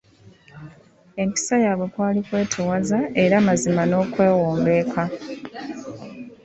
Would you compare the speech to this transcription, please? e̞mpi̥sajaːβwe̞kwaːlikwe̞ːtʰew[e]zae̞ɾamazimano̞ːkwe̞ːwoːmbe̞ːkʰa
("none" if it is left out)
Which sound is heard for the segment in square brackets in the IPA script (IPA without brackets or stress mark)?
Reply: a